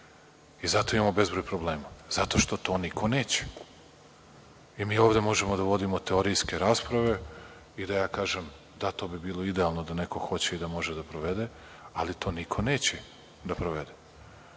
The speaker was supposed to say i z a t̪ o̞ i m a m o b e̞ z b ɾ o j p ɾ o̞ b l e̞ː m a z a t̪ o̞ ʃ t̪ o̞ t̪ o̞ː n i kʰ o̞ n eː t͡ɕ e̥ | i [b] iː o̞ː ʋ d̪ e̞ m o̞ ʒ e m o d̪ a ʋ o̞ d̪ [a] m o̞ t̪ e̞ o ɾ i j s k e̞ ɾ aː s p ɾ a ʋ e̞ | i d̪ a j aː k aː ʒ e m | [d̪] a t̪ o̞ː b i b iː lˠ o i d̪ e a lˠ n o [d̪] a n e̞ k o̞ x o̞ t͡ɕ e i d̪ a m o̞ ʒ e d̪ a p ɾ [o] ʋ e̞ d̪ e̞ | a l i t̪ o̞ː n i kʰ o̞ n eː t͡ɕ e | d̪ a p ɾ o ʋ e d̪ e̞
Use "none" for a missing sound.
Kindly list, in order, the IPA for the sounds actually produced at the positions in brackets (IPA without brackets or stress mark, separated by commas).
m, i, d̪, d̪, o